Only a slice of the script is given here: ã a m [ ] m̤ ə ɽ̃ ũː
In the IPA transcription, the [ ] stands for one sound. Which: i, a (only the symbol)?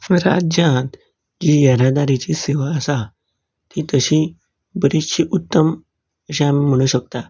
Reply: i